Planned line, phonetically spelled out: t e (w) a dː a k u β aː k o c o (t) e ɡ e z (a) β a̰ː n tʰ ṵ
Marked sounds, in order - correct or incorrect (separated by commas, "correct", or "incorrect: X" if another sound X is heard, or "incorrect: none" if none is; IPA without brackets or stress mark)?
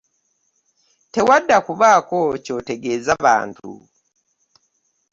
correct, correct, correct